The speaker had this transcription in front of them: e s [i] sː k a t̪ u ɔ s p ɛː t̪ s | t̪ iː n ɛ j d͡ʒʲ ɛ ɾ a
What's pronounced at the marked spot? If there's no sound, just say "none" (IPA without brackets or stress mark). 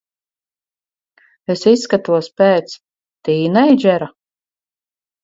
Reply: i